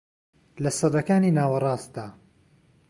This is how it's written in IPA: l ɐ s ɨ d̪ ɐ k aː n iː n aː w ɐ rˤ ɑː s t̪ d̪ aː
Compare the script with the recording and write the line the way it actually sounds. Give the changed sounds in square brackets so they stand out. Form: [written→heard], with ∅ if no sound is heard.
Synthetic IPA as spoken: l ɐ s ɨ d̪ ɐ k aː n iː n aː w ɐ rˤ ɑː s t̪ d̪ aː